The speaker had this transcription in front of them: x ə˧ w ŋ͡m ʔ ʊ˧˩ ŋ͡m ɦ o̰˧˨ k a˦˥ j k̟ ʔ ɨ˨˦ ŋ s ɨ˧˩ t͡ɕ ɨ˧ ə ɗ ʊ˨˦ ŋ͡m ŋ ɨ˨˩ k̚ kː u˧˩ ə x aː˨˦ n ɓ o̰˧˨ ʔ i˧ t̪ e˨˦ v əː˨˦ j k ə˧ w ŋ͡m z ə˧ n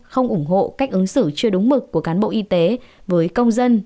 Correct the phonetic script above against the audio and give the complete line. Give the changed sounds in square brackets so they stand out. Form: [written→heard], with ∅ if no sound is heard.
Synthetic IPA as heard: x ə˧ w ŋ͡m ʔ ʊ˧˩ ŋ͡m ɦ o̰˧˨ k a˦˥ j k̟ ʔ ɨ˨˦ ŋ s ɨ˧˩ t͡ɕ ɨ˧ ə ɗ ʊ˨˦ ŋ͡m [ŋ→m] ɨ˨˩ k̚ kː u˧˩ ə [x→k] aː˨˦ n ɓ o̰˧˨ ʔ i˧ t̪ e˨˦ v əː˨˦ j k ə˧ w ŋ͡m z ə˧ n

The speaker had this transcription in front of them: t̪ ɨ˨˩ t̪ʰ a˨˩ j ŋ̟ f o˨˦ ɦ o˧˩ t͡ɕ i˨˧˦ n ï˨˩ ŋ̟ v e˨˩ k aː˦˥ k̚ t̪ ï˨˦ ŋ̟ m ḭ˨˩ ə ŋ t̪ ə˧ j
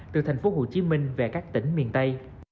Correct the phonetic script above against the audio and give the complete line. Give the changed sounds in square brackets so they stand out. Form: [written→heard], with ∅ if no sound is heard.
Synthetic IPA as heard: t̪ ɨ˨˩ t̪ʰ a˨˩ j ŋ̟ f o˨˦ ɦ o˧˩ t͡ɕ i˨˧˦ [n→m] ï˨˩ ŋ̟ v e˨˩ k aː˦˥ k̚ t̪ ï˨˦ ŋ̟ m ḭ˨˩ ə [ŋ→n] t̪ ə˧ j

